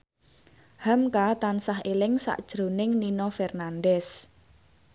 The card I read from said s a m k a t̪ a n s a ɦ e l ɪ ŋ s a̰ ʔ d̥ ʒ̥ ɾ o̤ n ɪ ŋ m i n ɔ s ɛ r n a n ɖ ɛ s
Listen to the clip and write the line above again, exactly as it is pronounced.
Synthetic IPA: h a m k a t̪ a n s a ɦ e l ɪ ŋ s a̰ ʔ d̥ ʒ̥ ɾ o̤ n ɪ ŋ n i n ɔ f ɛ r n a n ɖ ɛ s

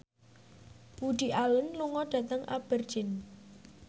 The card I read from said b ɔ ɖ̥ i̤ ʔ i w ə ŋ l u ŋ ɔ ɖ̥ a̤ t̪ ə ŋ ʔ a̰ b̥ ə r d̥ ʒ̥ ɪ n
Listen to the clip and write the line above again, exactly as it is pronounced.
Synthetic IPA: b u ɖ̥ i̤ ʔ a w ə n l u ŋ ɔ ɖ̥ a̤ t̪ ə ŋ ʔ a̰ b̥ ə r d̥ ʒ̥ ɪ n

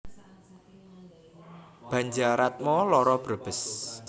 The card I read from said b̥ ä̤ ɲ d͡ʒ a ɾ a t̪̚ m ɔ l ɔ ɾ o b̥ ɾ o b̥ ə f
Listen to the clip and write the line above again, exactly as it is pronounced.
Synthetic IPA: b̥ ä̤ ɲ d͡ʒ a ɾ a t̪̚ m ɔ l ɔ ɾ ɔ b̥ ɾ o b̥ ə s

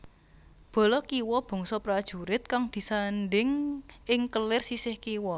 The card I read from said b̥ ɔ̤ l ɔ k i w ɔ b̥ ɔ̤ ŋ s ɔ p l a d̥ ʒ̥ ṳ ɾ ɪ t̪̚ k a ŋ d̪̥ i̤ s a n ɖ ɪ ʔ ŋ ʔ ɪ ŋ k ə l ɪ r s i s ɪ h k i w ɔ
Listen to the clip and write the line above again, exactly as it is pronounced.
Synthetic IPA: b̥ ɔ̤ l ɔ k i w ɔ b̥ ɔ̤ ŋ s ɔ p ɾ a d̥ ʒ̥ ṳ ɾ ɪ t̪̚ k a ŋ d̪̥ i̤ s a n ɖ ɪ ŋ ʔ ɪ ŋ k ə l ɪ r s i s ɪ h k i w ɔ

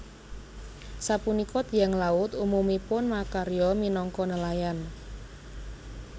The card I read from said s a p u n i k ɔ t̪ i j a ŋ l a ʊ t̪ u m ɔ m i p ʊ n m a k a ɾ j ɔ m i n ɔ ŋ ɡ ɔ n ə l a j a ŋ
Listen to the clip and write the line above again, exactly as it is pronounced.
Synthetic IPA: s a p u n i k ɔ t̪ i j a ŋ l a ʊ t̪ u m u m i p ʊ n m a k a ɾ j ɔ m i n ɔ ŋ k ɔ n ə l a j a n

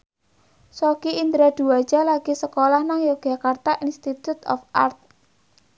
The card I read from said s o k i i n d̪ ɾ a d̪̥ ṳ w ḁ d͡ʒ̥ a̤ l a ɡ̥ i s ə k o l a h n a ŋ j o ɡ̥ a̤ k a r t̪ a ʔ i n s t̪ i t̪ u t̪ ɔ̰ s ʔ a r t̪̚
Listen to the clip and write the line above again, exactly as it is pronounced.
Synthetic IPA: s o k i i n d̪ ɾ a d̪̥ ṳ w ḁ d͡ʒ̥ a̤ l a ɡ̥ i s ə k o l a h n a ŋ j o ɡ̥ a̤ k a r t̪ a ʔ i n s t̪ i t̪ u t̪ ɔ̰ f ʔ a r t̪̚

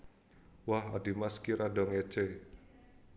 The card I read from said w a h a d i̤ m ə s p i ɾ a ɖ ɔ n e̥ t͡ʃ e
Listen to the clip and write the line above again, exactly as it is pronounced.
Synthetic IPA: w a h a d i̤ m a s k i ɾ a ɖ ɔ ŋ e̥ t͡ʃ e

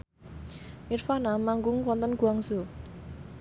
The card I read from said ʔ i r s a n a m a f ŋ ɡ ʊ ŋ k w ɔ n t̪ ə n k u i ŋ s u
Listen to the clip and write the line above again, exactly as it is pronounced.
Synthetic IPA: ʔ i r f a n a m a ŋ ɡ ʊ ŋ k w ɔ n t̪ ə n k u a ŋ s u

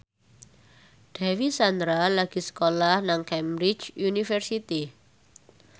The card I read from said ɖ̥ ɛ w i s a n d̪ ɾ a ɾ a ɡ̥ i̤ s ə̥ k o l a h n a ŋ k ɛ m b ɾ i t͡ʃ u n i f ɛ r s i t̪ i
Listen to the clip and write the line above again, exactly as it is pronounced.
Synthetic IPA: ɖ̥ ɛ w i s a n d̪ ɾ a l a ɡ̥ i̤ s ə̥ k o l a h n a ŋ k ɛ m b ɾ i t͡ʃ u n i f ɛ r s i t̪ i

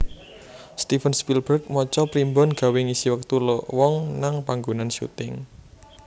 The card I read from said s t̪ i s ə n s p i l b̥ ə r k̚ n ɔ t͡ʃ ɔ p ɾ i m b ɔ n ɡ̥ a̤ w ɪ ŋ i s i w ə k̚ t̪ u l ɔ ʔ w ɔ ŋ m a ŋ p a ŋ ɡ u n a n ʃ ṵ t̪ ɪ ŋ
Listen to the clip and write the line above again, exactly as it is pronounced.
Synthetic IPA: s t̪ i f ə n s p i l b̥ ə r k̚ m ɔ t͡ʃ ɔ p ɾ i m b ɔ n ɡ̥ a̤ w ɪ ŋ i s i w ə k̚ t̪ u l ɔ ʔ w ɔ ŋ n a ŋ p a ŋ ɡ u n a n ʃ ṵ t̪ ɪ ŋ

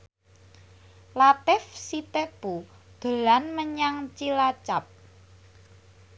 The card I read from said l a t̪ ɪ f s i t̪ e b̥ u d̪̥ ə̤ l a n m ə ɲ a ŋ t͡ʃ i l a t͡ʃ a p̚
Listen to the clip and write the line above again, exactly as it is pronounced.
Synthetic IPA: l a t̪ ɪ f s i t̪ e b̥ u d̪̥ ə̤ l a n m ə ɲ a ŋ t͡ʃ i l a t͡ʃ a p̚

